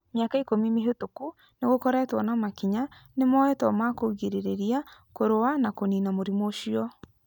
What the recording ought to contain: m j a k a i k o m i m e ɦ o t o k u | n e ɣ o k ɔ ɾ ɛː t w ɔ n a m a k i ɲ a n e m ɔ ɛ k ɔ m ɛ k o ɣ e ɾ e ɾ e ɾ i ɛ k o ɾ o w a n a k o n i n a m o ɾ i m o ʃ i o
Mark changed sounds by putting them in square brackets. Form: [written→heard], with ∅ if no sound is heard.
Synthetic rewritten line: m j a k a i k o m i m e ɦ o t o k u | n e ɣ o k ɔ ɾ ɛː t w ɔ n a m a k i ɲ a n e m ɔ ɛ [k→t] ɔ m [ɛ→a] k o ɣ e ɾ e ɾ e ɾ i [ɛ→a] k o ɾ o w a n a k o n i n a m o ɾ i m o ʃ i [o→ɔ]